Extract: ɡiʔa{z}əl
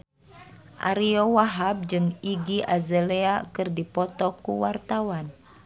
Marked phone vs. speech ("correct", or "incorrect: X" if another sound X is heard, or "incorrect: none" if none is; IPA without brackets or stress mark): correct